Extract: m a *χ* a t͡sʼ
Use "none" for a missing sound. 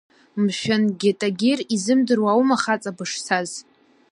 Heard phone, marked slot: χ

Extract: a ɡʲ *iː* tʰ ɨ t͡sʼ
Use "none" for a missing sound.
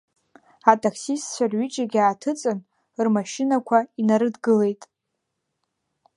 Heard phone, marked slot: aː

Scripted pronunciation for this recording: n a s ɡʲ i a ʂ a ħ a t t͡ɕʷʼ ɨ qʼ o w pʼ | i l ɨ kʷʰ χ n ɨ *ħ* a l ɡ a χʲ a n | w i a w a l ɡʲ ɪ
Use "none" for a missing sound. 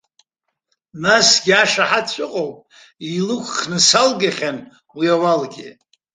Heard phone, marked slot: s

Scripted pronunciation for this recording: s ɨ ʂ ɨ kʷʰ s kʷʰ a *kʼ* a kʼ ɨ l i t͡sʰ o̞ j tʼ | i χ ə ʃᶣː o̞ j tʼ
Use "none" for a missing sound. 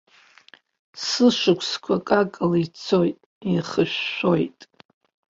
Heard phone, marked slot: kʼ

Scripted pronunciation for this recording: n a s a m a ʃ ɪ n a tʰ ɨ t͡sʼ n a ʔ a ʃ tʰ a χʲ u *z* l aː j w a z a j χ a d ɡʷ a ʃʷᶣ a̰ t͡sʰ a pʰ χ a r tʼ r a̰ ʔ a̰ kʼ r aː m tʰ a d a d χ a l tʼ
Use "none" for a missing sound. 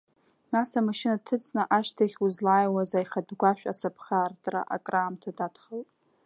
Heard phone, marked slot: z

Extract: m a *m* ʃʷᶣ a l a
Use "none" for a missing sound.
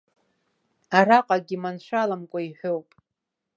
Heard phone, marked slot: n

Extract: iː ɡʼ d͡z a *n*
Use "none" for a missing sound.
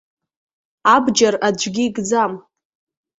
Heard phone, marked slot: m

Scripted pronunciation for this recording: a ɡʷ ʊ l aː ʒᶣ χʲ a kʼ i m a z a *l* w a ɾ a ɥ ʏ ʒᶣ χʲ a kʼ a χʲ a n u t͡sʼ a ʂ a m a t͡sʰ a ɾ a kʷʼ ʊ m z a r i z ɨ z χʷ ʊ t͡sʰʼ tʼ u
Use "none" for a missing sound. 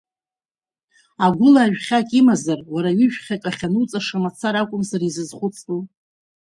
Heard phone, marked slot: r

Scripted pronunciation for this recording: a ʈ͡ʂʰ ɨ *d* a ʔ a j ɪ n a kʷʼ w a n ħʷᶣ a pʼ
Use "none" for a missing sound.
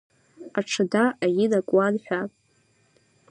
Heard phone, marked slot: d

